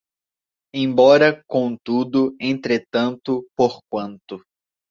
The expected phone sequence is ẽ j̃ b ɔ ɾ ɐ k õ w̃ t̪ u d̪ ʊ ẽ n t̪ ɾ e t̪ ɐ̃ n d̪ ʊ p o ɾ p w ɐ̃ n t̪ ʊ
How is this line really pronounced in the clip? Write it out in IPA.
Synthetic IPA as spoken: ẽ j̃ b ɔ ɾ ɐ k õ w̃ t̪ u d̪ ʊ ẽ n t̪ ɾ e t̪ ɐ̃ n t̪ ʊ p o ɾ k w ɐ̃ n t̪ ʊ